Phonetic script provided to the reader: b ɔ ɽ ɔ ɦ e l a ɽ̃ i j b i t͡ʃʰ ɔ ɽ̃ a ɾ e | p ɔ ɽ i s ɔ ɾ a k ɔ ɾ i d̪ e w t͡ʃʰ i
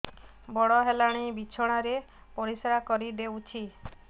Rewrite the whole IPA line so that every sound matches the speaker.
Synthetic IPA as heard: b ɔ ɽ ɔ ɦ e l a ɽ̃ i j b i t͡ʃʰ ɔ ɽ̃ a ɾ e | p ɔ ɾ i s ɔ ɾ a k ɔ ɾ i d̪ e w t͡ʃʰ i